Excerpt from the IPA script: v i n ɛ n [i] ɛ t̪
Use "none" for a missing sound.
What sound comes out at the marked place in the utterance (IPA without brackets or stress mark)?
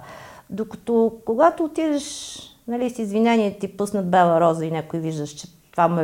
i